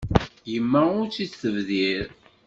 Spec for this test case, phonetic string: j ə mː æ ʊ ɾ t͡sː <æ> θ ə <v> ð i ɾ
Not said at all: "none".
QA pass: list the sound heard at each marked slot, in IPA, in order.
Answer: i, v

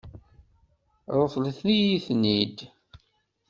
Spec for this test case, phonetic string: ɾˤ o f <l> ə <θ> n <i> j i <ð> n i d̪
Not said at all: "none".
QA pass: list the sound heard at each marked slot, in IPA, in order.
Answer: l, θ, i, θ

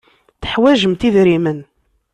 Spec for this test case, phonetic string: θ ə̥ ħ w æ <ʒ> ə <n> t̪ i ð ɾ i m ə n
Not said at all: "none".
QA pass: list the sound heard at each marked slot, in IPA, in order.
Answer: ʒ, m

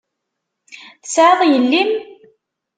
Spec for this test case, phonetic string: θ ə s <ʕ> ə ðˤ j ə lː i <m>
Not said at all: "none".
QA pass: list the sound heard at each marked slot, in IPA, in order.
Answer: ʕ, m

